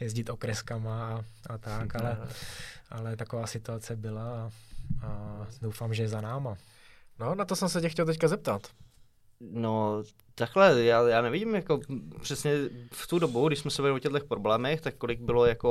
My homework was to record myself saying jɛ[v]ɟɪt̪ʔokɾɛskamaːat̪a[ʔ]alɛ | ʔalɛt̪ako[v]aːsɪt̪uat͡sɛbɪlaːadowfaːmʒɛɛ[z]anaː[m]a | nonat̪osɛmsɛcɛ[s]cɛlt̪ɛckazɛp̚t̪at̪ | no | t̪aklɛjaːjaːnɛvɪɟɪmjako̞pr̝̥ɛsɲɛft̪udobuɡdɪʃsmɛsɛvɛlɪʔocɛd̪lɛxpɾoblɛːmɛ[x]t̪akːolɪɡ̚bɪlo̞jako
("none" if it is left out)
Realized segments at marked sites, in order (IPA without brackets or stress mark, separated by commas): z, k, v, z, m, x, x